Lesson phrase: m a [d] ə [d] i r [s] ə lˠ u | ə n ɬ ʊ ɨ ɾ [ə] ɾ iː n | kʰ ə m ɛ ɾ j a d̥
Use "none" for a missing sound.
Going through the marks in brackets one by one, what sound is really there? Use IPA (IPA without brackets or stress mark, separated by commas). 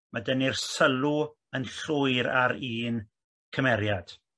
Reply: d, n, s, a